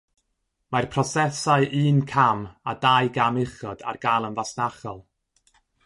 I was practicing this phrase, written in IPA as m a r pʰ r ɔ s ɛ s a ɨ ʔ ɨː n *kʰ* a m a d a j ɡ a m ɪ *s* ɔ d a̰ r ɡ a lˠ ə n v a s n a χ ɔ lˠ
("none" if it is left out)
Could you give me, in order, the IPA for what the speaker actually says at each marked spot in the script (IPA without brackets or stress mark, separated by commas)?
kʰ, χ